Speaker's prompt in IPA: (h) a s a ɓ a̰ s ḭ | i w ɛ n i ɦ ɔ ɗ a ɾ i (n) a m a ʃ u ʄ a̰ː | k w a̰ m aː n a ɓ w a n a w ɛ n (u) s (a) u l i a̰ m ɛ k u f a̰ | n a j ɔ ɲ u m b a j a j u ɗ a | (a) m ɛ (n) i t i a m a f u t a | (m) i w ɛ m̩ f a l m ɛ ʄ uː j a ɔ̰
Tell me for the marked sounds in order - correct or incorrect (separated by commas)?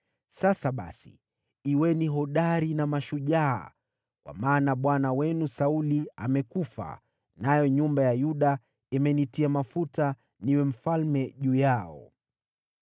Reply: incorrect, correct, correct, correct, incorrect, correct, incorrect